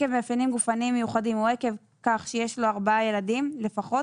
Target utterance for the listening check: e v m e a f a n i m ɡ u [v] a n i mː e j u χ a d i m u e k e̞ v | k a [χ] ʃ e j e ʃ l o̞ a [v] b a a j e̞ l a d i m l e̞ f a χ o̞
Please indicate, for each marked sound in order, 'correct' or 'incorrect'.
incorrect: f, correct, incorrect: ʁ

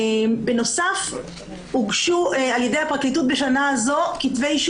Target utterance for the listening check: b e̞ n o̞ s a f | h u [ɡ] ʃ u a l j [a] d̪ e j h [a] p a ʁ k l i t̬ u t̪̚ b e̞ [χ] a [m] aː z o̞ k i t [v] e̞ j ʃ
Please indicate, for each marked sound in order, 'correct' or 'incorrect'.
correct, incorrect: e, correct, incorrect: ʃ, incorrect: n, correct

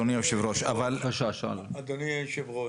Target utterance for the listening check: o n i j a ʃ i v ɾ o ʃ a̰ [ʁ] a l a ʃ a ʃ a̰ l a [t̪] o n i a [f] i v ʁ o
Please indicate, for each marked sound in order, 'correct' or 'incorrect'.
incorrect: v, incorrect: d̪, incorrect: ʃ

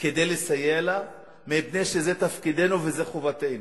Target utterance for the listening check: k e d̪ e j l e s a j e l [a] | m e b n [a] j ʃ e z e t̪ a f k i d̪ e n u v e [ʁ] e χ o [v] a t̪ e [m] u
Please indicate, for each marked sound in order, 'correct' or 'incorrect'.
correct, incorrect: e, incorrect: z, correct, incorrect: n

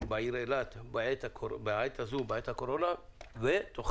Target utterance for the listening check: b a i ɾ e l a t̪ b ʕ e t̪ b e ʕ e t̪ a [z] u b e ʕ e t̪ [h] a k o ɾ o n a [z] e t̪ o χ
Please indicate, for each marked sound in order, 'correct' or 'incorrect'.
correct, correct, incorrect: v

